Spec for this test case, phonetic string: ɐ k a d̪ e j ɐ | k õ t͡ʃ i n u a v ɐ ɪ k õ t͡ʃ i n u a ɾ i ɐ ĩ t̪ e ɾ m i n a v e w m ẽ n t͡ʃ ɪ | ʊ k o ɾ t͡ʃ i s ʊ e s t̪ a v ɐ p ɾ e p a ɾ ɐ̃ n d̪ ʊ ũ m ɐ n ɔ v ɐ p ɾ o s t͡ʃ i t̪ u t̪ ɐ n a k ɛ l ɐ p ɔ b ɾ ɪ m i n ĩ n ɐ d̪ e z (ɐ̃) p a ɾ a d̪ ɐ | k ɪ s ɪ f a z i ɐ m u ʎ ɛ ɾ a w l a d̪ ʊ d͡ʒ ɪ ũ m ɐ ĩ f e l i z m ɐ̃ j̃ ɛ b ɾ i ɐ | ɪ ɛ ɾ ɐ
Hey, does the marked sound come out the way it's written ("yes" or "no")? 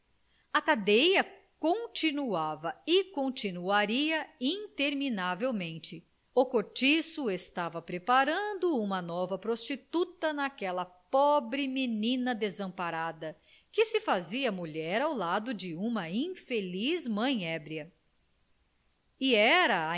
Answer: yes